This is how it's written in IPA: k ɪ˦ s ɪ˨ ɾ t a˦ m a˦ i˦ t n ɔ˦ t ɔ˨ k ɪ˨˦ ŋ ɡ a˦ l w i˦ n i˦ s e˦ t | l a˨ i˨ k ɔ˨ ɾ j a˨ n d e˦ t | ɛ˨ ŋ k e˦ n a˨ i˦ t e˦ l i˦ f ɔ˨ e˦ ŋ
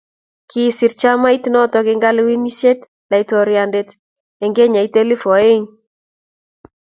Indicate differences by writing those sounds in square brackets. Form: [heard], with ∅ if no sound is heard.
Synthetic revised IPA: k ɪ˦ s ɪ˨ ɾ [t͡ʃ] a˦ m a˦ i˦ t n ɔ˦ t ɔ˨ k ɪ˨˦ ŋ ɡ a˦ l w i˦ n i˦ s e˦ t | l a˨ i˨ [t] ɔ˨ ɾ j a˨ n d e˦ t | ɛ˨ ŋ [ɡ] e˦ [ɲ] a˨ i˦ t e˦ l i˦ f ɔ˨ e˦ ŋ